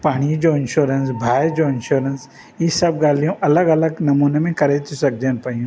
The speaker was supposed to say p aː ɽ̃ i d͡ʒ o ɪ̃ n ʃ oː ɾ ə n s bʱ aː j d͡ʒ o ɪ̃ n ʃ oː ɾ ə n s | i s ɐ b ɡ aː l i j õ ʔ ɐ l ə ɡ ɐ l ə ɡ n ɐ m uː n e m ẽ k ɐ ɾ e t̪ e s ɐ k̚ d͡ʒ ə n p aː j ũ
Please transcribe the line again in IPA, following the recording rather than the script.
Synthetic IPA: p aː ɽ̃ i d͡ʒ o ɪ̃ n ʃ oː ɾ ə n s bʱ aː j d͡ʒ o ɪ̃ n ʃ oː ɾ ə n s | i s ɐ b ɡ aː l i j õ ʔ ɐ l ə ɡ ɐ l ə ɡ n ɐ m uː n e m ẽ k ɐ ɾ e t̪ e s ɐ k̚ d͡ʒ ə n p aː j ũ